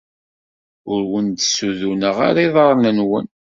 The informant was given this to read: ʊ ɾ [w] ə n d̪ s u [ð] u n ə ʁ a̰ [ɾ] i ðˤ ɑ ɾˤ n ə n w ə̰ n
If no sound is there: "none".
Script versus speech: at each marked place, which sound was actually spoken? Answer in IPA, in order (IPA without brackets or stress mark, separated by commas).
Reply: w, ð, ɾ